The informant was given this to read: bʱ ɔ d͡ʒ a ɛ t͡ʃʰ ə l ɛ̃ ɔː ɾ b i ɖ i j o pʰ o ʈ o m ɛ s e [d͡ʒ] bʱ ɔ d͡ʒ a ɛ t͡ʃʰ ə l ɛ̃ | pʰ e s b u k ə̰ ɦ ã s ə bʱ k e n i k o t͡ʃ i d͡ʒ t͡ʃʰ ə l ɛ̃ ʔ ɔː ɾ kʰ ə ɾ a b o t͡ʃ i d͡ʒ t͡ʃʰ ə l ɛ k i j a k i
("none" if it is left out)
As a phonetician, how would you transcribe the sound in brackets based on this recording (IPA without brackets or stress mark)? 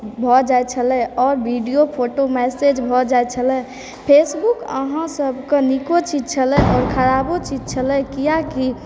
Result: d͡ʒ